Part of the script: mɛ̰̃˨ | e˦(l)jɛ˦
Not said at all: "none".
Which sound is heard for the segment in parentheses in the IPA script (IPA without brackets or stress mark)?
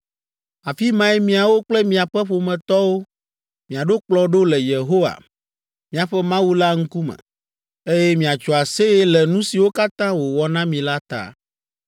none